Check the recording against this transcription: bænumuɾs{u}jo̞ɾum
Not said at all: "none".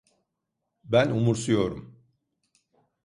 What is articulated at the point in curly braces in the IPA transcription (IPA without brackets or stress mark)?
u